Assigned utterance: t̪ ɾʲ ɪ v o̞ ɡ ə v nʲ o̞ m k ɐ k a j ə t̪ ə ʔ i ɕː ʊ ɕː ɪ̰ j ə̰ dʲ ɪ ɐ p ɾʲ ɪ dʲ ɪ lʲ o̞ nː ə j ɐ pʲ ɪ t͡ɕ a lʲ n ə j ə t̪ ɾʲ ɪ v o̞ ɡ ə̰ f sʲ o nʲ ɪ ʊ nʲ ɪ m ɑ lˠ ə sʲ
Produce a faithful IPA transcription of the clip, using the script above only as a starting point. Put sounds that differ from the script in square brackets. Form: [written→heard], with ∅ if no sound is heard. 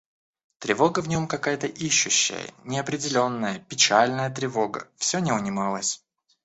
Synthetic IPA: t̪ ɾʲ ɪ v o̞ ɡ ə v nʲ o̞ m k ɐ k a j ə t̪ ə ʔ i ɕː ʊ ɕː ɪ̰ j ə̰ [dʲ→nʲ] ɪ ɐ p ɾʲ ɪ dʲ ɪ lʲ o̞ nː ə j [ɐ→ə] pʲ ɪ t͡ɕ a lʲ n ə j ə t̪ ɾʲ ɪ v o̞ ɡ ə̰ f sʲ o nʲ ɪ ʊ nʲ ɪ m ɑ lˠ ə sʲ